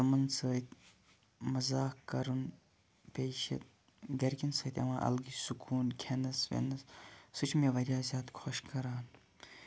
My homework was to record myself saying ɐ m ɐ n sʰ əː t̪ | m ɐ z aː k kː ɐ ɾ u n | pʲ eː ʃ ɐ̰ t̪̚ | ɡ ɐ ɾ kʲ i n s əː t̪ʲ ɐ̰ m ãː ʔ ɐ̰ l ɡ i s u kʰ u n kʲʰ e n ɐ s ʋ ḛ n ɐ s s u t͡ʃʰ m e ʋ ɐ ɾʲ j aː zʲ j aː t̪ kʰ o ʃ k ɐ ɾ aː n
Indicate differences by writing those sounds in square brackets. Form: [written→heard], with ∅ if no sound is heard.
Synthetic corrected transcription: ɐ m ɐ n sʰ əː t̪ | m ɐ z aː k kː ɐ ɾ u n | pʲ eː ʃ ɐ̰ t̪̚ | ɡ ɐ ɾ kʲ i n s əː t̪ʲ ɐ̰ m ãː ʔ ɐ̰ l ɡ i s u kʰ [u→uː] n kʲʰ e n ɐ s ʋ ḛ n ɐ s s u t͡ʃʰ m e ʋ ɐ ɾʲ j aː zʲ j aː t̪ kʰ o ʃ k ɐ ɾ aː n